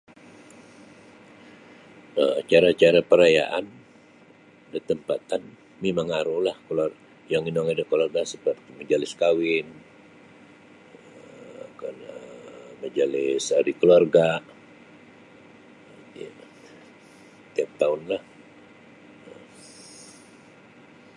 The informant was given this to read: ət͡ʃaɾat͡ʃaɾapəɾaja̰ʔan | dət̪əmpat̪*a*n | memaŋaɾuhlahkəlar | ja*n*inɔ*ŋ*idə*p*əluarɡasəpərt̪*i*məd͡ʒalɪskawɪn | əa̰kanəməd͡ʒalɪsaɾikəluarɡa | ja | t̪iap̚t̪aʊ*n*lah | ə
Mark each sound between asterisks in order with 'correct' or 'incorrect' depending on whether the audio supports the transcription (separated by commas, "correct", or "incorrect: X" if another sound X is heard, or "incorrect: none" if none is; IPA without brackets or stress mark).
correct, incorrect: ŋ, correct, incorrect: k, correct, correct